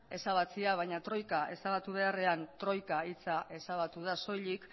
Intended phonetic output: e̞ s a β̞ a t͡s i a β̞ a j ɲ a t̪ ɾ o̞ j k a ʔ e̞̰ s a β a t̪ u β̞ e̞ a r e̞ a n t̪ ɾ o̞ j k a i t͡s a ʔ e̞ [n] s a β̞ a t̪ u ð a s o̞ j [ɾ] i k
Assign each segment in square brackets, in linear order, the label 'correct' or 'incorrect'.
incorrect, incorrect

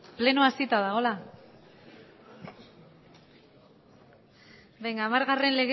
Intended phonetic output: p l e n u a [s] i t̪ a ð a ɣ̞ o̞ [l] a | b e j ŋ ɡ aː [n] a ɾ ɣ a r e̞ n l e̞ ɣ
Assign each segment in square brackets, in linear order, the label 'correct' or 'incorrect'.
correct, correct, incorrect

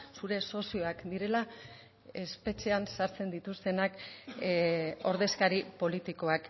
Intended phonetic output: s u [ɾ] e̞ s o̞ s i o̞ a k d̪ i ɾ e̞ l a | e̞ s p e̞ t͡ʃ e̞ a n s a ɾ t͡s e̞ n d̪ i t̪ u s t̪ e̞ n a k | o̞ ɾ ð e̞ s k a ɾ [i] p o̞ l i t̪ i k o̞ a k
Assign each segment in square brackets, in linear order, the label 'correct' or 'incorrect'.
correct, correct

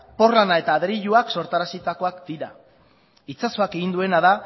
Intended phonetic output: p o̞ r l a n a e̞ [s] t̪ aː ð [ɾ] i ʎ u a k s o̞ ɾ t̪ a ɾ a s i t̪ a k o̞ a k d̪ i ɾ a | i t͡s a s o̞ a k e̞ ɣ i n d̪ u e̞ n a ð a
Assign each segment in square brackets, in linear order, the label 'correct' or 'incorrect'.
incorrect, correct

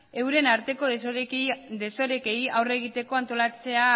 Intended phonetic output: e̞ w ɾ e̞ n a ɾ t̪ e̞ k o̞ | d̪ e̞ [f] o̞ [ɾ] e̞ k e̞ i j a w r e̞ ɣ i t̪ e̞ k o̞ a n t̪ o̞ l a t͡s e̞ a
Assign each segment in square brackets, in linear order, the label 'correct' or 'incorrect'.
incorrect, correct

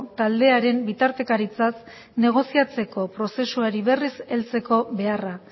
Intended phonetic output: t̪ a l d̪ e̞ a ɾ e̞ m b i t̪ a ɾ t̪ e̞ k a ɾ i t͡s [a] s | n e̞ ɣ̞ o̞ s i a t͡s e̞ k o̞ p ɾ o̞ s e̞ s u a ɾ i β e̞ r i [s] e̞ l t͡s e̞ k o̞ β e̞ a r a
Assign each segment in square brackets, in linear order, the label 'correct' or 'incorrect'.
correct, correct

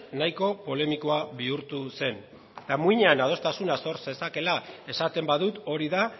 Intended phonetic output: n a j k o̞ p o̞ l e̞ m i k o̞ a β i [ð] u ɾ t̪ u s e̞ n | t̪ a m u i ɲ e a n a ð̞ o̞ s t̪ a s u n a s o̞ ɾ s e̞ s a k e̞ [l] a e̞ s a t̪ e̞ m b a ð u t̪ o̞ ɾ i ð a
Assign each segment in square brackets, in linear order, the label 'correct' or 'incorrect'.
incorrect, correct

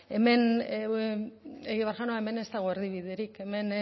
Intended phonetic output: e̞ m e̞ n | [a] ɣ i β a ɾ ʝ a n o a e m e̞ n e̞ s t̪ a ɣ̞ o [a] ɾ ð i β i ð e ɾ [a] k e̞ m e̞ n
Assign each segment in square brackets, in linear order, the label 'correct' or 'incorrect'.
incorrect, incorrect, incorrect

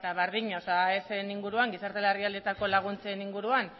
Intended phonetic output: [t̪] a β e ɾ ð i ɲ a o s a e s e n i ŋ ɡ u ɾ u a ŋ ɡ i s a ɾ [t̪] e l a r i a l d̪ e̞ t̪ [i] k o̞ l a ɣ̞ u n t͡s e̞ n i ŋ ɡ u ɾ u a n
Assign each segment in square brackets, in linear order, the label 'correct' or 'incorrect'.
correct, correct, incorrect

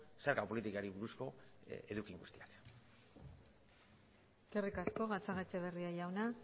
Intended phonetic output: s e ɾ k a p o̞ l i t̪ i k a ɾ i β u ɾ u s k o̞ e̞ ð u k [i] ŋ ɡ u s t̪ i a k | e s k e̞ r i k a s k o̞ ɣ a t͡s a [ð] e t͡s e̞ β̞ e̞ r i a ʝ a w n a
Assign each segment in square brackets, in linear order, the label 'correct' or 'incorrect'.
correct, incorrect

